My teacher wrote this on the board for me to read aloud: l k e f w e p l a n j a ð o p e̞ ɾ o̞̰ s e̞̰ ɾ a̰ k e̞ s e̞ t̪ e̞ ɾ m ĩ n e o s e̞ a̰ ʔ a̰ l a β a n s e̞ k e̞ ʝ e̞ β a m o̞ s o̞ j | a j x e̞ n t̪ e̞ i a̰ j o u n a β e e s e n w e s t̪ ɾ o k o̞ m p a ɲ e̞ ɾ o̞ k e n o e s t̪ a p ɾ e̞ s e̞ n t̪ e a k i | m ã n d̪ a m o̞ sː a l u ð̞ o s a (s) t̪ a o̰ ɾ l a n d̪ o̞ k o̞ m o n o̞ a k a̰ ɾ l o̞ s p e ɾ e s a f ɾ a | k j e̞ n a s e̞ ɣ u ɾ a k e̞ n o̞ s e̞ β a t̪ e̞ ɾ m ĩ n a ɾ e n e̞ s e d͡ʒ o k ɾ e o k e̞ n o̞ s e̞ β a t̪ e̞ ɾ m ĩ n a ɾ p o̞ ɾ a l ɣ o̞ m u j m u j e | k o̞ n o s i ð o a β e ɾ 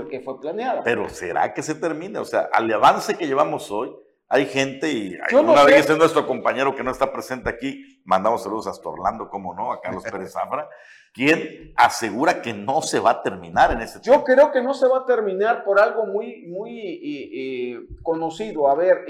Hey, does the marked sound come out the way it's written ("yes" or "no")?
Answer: yes